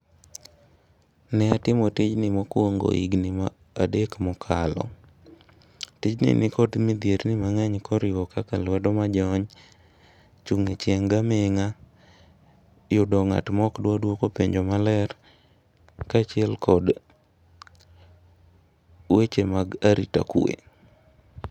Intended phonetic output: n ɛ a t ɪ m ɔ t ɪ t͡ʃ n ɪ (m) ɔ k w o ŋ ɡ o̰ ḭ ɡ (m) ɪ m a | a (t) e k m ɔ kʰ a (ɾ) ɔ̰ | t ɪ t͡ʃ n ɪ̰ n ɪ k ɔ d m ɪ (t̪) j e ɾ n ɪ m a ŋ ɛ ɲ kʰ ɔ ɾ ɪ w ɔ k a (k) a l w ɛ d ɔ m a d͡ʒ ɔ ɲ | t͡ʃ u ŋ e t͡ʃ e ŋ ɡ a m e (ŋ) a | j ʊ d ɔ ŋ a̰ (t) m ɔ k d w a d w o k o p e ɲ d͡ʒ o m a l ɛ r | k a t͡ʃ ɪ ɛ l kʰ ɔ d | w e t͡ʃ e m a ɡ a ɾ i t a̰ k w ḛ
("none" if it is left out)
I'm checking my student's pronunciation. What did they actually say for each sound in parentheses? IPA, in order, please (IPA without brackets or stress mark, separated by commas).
m, n, d, l, d̪, k, ŋ, t